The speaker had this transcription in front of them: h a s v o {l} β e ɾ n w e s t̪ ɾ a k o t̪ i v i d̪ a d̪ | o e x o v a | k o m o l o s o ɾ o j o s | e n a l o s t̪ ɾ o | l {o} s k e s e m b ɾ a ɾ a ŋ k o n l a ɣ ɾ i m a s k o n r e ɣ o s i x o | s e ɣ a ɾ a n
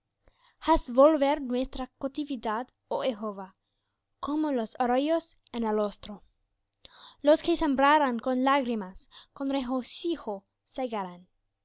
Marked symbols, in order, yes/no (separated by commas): yes, yes